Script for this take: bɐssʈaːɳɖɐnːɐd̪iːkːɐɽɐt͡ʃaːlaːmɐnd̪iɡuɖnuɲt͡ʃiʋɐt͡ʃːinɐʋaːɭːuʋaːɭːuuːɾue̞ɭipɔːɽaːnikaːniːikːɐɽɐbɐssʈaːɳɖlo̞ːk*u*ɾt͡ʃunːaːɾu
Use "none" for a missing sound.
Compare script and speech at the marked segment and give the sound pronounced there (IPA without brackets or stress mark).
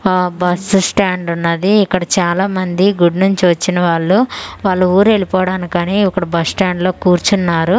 uː